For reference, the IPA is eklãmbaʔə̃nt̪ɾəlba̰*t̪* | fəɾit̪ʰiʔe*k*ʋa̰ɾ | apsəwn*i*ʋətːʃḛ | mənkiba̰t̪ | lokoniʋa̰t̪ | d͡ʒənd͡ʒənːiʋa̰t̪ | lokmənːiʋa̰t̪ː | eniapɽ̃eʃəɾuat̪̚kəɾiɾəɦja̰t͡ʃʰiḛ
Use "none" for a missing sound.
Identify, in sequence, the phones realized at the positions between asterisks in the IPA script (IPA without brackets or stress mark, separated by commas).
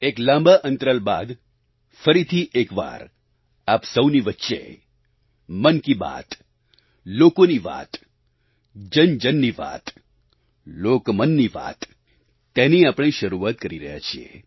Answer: d̪, k, i